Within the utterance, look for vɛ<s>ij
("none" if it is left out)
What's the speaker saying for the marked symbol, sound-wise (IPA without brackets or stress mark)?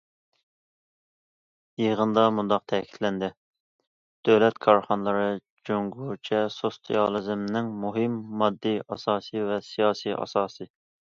s